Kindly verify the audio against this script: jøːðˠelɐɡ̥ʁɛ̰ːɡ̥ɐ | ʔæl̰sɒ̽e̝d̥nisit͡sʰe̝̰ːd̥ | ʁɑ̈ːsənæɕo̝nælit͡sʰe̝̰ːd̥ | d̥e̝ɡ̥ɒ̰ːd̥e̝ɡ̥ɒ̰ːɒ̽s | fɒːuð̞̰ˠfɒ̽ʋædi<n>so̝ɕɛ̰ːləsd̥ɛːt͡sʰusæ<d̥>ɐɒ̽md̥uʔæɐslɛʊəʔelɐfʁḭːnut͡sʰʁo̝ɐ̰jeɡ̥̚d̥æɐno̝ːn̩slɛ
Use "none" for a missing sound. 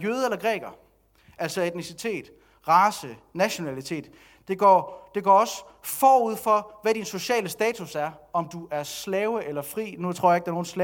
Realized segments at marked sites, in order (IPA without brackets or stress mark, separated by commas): n, none